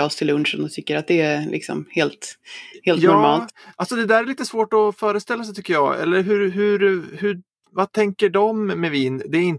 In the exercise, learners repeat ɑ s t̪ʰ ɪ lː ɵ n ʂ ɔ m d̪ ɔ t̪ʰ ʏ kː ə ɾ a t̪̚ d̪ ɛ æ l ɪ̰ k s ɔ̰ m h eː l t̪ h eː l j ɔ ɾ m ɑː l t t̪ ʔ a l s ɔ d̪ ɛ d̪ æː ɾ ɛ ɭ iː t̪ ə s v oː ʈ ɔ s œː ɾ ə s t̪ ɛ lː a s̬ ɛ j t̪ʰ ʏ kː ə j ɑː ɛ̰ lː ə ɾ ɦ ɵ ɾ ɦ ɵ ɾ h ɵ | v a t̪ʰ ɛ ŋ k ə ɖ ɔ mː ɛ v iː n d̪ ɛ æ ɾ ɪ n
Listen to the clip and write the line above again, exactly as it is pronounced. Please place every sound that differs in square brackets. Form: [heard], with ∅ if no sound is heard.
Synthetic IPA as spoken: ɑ s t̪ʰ ɪ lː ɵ n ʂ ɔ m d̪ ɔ t̪ʰ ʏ kː ə ɾ a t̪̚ d̪ ɛ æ l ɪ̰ k s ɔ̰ m h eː l t̪ h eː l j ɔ ɾ m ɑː l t t̪ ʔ a l s ɔ d̪ ɛ d̪ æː ɾ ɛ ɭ iː t̪ ə s v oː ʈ ɔ [f] œː ɾ ə s t̪ ɛ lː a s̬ ɛ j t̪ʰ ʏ kː ə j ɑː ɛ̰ lː ə ɾ ɦ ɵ ɾ ɦ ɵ ɾ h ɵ | v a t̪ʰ ɛ ŋ k ə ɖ ɔ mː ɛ v iː n d̪ ɛ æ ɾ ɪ n